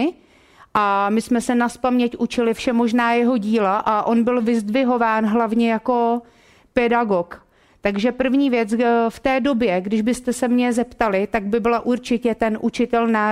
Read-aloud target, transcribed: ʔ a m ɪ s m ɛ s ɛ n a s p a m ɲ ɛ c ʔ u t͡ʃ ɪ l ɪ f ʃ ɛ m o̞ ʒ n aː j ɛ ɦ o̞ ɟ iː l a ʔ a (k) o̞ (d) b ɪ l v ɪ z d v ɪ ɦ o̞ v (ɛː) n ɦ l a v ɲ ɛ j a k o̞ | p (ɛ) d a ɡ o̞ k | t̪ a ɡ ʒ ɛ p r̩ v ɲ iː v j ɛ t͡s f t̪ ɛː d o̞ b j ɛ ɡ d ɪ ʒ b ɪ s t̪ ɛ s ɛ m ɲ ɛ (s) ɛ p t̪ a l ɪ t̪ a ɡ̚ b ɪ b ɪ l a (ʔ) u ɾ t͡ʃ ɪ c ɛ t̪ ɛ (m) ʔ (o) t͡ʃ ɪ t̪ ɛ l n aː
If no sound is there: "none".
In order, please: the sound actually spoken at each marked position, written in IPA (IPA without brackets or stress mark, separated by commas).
ʔ, n, aː, ɛ, z, ʔ, n, u